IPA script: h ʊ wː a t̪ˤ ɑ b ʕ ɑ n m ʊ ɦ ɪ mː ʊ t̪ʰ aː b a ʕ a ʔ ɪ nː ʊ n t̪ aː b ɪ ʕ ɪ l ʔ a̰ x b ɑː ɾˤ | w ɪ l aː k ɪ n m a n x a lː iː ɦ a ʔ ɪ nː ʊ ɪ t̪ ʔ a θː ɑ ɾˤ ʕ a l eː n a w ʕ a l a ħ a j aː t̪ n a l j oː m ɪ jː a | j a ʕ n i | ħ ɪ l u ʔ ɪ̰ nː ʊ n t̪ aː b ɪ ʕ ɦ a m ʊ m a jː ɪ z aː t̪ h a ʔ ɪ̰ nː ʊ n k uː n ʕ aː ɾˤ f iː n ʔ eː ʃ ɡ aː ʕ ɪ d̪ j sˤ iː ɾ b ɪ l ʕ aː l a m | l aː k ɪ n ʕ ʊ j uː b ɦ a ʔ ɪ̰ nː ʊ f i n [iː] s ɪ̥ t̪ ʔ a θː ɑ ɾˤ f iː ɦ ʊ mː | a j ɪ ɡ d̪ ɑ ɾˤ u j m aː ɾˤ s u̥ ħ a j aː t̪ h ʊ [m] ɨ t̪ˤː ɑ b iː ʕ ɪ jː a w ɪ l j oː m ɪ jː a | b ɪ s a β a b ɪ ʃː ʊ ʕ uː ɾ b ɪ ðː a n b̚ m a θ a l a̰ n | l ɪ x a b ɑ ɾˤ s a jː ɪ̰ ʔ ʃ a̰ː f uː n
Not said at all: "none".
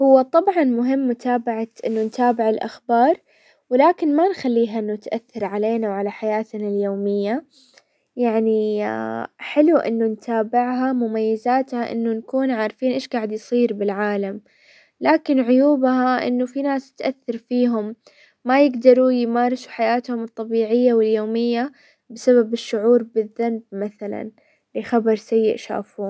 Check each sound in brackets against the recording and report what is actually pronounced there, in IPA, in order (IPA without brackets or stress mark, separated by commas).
aː, m